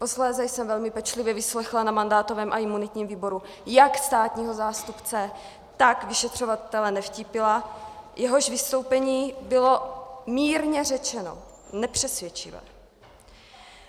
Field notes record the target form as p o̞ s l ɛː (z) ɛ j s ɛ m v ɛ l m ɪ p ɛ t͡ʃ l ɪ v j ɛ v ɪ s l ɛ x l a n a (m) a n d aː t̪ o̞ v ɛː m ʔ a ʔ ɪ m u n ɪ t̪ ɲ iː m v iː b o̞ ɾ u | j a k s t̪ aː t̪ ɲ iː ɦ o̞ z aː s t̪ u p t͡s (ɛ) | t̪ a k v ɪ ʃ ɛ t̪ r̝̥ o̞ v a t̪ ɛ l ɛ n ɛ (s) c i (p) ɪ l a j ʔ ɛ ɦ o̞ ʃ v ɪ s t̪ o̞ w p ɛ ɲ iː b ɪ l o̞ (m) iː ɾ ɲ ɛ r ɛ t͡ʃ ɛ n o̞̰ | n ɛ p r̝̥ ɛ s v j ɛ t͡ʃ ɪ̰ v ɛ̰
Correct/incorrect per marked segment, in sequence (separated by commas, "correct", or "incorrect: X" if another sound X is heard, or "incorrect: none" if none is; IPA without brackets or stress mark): correct, correct, correct, incorrect: f, correct, correct